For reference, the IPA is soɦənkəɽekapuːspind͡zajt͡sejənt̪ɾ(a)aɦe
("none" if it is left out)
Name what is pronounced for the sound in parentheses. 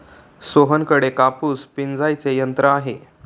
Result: ə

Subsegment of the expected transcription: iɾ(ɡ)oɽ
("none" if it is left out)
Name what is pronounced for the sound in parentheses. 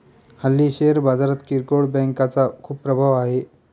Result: k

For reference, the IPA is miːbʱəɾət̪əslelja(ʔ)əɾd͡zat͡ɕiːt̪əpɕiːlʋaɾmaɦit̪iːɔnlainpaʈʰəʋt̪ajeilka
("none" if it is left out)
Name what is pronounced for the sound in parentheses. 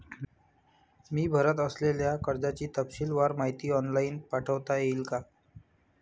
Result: k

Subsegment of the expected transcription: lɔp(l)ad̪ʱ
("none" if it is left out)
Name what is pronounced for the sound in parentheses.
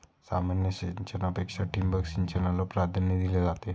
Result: ɾ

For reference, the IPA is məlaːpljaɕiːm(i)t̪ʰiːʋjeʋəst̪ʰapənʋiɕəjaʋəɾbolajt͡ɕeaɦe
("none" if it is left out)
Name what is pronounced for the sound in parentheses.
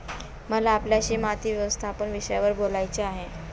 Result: a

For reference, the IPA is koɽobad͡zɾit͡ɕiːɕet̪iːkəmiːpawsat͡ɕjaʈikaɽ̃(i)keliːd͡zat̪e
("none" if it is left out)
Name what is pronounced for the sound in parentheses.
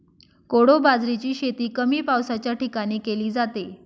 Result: iː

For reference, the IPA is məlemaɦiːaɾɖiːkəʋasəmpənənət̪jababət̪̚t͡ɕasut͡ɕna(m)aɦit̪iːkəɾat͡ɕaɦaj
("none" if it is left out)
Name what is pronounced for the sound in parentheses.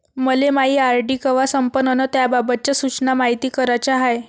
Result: m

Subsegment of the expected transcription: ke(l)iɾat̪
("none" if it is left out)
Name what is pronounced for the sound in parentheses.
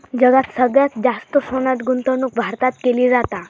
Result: l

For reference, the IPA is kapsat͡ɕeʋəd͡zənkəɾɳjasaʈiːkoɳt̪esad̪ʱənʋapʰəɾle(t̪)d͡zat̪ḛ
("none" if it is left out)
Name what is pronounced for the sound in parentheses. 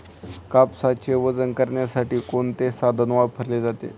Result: none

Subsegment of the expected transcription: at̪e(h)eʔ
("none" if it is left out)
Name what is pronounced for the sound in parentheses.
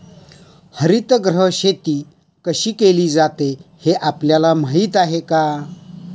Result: h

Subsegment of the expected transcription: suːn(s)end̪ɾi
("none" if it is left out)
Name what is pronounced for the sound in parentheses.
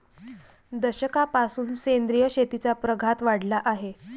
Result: s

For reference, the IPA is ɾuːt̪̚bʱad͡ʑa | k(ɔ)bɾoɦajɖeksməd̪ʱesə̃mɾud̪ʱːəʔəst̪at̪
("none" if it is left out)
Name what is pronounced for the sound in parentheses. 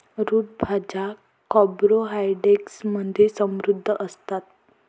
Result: ɔ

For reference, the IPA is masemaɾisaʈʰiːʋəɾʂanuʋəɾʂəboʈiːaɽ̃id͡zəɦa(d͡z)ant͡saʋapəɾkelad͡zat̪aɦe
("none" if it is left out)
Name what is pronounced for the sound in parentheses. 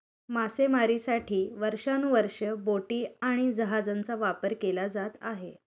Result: d͡z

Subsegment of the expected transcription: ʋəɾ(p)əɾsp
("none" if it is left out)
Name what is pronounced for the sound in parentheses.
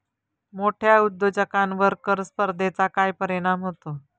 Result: k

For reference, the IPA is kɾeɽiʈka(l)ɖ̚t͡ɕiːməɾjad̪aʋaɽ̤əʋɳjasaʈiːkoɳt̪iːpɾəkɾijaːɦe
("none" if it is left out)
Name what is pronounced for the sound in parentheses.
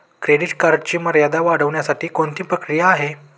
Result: ɾ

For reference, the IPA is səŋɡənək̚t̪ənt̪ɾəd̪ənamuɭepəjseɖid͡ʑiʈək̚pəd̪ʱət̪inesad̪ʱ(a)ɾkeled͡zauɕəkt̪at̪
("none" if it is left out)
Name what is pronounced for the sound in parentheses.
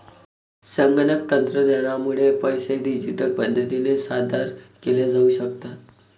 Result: a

